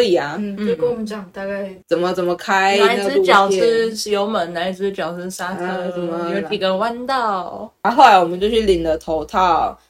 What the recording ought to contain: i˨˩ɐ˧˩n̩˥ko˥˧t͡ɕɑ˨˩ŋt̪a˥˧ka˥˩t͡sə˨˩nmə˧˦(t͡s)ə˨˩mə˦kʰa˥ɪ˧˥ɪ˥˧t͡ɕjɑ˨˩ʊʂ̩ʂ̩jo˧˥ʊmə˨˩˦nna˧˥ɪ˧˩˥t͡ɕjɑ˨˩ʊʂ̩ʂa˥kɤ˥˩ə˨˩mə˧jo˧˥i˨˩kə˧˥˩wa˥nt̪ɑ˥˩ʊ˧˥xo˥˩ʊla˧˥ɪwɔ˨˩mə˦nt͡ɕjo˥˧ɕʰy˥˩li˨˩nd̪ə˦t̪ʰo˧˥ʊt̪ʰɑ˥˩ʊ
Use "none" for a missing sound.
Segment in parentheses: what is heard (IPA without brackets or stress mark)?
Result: t͡s